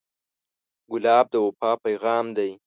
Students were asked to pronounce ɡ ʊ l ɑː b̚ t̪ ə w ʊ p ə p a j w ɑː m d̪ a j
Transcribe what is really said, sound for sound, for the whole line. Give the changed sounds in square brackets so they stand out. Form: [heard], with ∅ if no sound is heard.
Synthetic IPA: ɡ ʊ l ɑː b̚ [d̪] ə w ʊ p [ɑ] p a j [ɣ] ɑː m d̪ a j

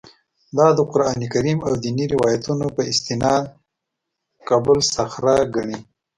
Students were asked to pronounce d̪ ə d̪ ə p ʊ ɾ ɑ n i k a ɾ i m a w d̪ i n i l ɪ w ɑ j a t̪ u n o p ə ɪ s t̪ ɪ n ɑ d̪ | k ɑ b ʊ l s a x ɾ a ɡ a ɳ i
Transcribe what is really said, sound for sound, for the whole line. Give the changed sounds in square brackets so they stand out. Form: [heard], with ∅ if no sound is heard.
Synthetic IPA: d̪ [ɑ] d̪ ə [q] ʊ ɾ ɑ n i k a ɾ i m a w d̪ i n i [ɾ] ɪ w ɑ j a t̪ u n o p ə ɪ s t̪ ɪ n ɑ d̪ | k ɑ b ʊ l s a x ɾ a ɡ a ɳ i

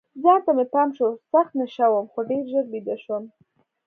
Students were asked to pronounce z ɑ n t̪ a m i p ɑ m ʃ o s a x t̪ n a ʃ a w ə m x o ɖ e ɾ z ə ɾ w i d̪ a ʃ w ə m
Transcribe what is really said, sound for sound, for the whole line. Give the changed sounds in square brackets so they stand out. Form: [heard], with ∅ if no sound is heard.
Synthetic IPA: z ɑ n t̪ a m [e] p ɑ m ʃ o s a x t̪ n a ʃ a w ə m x o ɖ e ɾ [ʒ] ə ɾ [b] i d̪ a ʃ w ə m

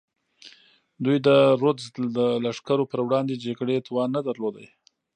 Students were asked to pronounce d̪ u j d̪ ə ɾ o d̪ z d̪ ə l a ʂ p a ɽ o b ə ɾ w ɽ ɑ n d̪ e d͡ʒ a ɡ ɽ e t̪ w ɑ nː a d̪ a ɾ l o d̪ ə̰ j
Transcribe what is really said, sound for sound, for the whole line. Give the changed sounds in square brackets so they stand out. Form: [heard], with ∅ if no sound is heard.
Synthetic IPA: d̪ u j d̪ ə ɾ o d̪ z d̪ ə l a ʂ [k] a [ɾ] o [p] ə ɾ w ɽ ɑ n d̪ e d͡ʒ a ɡ ɽ e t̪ w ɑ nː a d̪ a ɾ l o d̪ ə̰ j

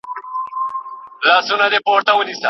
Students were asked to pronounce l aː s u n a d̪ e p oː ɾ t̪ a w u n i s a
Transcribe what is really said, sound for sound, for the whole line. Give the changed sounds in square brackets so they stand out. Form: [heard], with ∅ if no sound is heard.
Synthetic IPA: l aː s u n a d̪ e p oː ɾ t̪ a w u n i s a

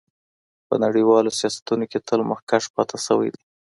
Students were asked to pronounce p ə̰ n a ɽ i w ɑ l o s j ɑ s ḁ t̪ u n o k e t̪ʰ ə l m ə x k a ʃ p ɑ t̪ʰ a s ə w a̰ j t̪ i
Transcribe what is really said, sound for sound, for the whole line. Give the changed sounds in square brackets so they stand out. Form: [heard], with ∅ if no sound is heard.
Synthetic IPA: p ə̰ n a ɽ i w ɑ l o s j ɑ s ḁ t̪ u n o k e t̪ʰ ə l m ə x k a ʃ p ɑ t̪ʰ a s ə w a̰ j [d̪] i

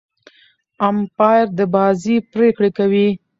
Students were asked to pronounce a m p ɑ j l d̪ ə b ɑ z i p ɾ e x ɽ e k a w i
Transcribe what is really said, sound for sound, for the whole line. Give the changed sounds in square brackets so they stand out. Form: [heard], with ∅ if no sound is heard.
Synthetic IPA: a m p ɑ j [ɾ] d̪ ə b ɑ z i p ɾ e [k] ɽ e k a w i

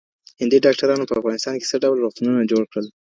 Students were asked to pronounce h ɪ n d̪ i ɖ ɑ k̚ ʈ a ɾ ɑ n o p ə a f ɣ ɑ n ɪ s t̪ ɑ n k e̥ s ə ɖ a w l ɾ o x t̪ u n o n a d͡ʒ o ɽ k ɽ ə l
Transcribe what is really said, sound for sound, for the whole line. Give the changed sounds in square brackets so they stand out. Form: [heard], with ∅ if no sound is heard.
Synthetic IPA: h ɪ n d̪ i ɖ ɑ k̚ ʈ a ɾ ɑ n o p ə a f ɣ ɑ n ɪ s t̪ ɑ n k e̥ s ə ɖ a w l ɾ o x t̪ u n [u] n a d͡ʒ o ɽ k ɽ ə l

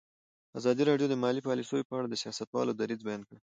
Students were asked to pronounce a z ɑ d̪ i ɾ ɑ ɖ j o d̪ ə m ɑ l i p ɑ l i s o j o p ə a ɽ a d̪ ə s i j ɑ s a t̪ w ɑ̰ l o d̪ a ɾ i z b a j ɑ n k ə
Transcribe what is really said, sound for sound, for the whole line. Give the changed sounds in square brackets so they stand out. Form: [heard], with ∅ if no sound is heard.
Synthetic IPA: a z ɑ d̪ i ɾ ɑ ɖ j o d̪ ə m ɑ l i p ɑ l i s o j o p ə a ɽ a d̪ ə s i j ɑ s a t̪ w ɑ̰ l o d̪ a ɾ i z b a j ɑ n k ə

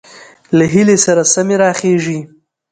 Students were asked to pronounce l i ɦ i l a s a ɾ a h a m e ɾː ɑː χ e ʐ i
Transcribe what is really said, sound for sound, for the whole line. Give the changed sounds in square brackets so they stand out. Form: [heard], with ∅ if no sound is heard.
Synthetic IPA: l [a] ɦ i l [e] s a ɾ a [s] a m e [ɾ] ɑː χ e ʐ i

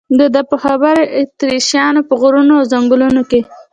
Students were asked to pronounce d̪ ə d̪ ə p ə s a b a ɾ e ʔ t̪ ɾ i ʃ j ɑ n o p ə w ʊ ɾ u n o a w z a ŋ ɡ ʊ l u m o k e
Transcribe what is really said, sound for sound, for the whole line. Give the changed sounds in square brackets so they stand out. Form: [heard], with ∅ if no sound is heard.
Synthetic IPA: d̪ ə d̪ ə p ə [x] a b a ɾ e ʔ t̪ ɾ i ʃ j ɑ n o p ə [ɣ] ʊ ɾ u n o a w z a ŋ ɡ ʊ l u [n] o k e

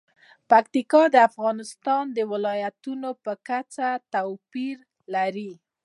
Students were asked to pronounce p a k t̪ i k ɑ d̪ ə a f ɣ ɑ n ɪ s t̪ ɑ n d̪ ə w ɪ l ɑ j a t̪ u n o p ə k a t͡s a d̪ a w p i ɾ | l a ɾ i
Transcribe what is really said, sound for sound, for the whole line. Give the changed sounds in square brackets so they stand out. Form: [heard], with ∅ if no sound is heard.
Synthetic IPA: p a k t̪ i k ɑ d̪ ə a f ɣ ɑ n ɪ s t̪ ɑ n d̪ ə w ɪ l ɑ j a t̪ u n o p ə k a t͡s a [t̪] a w p i ɾ | l a ɾ i

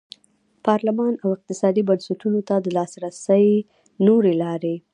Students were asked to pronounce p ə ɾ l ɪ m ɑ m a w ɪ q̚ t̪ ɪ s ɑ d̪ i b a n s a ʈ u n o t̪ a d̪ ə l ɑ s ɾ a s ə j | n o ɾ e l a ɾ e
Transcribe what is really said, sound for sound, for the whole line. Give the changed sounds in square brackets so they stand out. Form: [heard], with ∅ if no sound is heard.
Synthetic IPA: p [ɑ] ɾ l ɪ m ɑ [n] a w ɪ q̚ t̪ ɪ s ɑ d̪ i b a n s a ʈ u n o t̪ a d̪ ə l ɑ s ɾ a s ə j | n o ɾ e l [ɑ] ɾ e

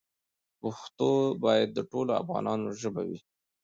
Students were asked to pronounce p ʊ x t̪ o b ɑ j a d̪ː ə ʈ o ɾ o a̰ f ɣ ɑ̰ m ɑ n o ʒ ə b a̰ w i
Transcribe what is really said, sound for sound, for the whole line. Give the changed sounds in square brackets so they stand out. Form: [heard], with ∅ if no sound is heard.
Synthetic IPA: p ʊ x t̪ o b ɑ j a d̪ː ə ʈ o [l] o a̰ f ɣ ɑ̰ [n] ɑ n o ʒ ə b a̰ w i

